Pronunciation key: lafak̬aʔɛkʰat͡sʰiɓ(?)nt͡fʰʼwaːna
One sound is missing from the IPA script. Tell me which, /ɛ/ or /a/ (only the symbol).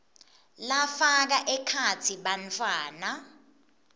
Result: a